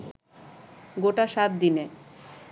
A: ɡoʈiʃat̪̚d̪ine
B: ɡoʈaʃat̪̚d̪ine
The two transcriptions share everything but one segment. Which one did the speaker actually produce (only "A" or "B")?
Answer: B